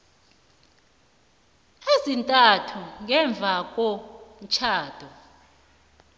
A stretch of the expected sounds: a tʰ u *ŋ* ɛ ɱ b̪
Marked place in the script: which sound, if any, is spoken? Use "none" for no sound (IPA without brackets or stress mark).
ŋ